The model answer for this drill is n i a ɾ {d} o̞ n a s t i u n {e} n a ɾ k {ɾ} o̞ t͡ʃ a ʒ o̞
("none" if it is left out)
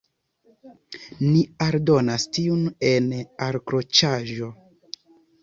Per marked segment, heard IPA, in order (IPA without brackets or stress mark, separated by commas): d, e, ɾ